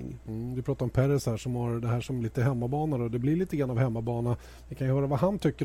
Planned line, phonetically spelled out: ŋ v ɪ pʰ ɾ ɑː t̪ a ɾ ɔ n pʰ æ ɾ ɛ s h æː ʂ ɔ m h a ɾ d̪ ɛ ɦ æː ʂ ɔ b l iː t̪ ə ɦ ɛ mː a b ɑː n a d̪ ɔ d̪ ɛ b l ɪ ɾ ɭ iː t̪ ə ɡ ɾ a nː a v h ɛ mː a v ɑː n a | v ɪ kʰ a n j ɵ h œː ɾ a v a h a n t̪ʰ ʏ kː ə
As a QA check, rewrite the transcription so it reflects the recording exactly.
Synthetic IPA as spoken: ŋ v ɪ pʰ ɾ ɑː t̪ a ɾ ɔ m pʰ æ ɾ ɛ s h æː ʂ ɔ m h a ɾ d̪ ɛ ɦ æː ʂ ɔ m l iː t̪ ə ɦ ɛ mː a b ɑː n a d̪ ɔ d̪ ɛ b l ɪ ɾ ɭ iː t̪ ə ɡ ɾ a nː a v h ɛ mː a b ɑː n a | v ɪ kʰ a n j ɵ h œː ɾ a v a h a n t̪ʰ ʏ kː ə